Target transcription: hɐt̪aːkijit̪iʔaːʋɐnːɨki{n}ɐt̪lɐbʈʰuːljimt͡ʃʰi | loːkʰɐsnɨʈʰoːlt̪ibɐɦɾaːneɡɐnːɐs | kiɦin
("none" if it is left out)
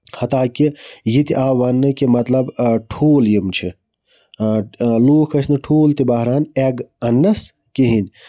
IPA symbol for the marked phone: m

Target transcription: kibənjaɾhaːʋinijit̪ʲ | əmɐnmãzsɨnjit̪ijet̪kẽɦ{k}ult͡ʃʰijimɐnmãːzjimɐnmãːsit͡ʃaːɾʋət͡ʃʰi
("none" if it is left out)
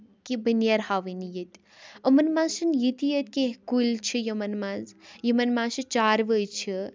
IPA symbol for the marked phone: k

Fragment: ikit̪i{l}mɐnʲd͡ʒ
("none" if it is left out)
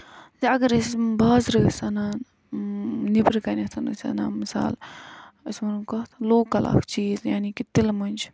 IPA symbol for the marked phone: l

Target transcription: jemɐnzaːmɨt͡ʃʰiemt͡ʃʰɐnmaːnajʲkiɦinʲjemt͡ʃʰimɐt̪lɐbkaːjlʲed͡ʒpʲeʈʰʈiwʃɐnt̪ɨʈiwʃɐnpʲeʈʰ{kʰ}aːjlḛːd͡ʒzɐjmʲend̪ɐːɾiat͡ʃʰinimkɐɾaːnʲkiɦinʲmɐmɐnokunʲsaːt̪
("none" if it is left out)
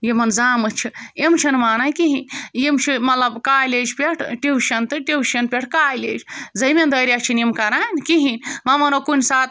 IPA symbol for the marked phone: k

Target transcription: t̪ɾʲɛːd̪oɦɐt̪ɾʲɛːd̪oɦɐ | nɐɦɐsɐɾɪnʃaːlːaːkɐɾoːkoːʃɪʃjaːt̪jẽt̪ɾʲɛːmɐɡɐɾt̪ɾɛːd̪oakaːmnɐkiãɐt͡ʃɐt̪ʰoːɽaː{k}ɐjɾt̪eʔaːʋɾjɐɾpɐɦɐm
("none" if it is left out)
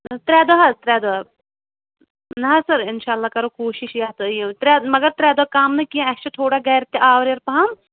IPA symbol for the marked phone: ɡ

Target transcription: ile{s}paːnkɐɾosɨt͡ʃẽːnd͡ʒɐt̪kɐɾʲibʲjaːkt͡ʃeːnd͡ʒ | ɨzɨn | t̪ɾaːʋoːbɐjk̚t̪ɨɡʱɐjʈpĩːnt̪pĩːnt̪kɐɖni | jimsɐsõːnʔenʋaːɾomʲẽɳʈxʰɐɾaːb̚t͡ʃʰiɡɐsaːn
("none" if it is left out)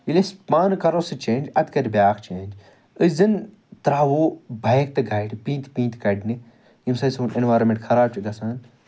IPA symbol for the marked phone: s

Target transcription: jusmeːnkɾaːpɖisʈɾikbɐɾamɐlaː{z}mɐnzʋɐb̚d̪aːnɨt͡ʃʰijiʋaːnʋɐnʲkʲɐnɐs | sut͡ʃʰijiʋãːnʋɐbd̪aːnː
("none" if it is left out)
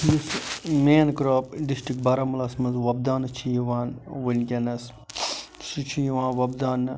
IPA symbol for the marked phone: s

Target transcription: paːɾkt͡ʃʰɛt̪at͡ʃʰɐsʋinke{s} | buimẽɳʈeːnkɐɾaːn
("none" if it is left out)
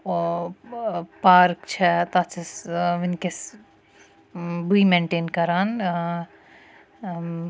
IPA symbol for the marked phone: s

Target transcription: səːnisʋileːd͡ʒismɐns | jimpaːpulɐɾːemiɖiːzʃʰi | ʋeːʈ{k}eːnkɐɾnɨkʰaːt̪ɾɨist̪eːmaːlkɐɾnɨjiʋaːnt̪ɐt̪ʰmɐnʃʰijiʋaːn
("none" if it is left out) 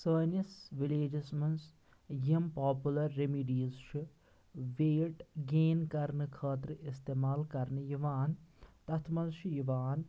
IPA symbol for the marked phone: ɡ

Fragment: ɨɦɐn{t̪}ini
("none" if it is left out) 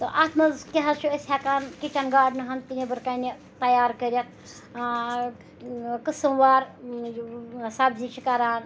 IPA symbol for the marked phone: t̪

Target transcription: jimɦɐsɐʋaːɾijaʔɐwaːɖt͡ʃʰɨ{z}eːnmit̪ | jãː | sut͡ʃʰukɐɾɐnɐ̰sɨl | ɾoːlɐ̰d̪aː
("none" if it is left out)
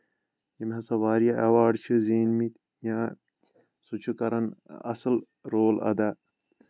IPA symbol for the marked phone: z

